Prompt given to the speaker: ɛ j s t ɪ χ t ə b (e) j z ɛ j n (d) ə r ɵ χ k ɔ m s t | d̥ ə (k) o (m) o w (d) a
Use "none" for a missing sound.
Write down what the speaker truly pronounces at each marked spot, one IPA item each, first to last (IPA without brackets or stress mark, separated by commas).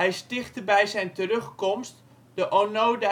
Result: ɛ, t, ʔ, n, d